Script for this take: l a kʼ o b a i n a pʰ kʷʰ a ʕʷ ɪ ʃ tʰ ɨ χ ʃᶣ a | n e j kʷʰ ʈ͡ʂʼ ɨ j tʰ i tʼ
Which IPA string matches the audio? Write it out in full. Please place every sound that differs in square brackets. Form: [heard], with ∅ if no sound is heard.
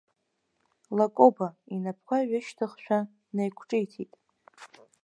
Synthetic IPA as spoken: l a kʼ o b a i n a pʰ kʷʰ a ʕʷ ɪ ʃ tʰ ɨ χ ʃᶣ a | n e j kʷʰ ʈ͡ʂʼ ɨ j tʰ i tʼ